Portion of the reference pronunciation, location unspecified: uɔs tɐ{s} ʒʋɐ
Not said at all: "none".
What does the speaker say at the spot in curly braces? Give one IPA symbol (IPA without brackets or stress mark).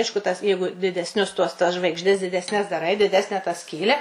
s